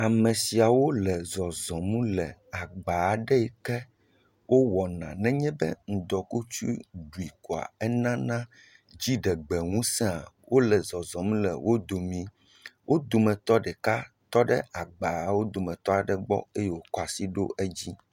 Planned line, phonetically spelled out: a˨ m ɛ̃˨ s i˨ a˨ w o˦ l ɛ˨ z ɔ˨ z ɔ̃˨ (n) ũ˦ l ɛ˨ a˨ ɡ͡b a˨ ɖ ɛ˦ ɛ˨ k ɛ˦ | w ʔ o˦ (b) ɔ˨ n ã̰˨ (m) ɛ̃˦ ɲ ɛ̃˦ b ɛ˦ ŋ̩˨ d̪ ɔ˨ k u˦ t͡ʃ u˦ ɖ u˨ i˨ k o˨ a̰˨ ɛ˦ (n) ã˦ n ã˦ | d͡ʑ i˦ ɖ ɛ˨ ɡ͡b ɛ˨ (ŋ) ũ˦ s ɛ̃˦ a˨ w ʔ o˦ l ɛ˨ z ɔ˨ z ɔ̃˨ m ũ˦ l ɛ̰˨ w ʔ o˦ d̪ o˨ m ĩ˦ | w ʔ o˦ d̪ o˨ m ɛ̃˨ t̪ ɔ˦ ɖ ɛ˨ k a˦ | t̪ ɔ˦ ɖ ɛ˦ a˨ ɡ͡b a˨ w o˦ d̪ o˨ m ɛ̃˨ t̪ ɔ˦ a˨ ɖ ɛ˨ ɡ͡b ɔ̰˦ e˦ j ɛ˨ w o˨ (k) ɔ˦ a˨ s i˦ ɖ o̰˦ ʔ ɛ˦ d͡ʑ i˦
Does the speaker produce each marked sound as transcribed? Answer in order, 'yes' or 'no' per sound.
no, no, no, yes, yes, yes

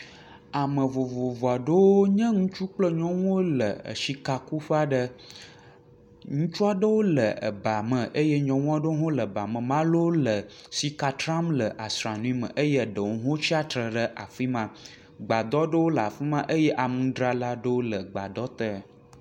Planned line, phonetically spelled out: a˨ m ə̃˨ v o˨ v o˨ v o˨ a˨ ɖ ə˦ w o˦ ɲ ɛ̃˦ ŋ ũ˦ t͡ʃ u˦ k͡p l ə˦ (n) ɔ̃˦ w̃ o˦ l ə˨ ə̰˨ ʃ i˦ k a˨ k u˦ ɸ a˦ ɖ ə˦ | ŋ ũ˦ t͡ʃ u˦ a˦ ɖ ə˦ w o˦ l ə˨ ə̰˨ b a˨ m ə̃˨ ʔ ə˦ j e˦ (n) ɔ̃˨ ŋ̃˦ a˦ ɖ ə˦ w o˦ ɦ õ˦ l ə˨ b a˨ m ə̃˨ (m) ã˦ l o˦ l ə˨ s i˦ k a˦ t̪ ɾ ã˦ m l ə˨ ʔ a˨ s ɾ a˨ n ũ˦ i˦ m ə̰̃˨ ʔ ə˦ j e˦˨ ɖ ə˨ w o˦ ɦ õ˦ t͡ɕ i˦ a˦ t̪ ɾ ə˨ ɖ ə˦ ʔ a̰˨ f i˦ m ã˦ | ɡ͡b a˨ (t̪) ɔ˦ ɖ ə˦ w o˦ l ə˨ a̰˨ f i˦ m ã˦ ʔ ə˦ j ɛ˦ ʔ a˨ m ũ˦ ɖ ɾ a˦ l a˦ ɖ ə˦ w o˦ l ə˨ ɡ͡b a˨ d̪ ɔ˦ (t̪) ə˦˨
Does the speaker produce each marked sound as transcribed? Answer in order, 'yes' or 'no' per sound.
no, no, yes, no, yes

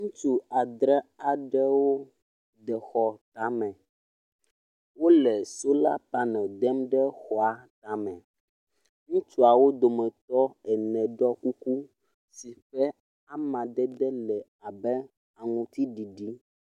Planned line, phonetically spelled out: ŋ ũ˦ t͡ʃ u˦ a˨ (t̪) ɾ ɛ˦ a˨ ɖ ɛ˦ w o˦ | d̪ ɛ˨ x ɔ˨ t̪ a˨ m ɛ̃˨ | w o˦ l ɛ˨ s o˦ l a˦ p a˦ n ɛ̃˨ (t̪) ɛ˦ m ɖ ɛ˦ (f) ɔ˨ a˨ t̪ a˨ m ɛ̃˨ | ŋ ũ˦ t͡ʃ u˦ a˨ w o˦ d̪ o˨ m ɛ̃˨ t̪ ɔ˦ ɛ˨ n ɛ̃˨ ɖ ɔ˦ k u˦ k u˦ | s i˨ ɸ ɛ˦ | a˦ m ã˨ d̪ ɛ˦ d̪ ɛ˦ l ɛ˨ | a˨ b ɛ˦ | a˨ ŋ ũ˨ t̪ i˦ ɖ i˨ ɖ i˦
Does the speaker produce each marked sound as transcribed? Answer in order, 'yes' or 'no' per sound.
no, no, no

